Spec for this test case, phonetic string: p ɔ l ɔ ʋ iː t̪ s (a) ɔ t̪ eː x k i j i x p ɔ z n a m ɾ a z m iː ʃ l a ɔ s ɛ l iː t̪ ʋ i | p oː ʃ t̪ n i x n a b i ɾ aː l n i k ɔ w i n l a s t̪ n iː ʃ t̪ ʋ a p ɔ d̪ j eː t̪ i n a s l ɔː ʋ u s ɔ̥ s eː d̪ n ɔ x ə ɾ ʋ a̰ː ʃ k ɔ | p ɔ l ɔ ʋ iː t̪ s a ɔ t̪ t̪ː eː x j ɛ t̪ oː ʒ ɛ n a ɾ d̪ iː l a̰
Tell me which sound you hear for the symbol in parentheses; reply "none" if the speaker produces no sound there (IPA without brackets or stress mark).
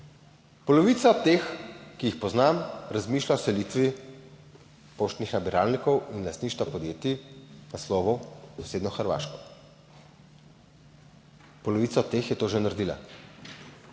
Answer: a